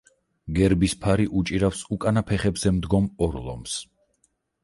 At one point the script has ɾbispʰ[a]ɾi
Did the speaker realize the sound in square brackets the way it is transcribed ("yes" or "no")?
yes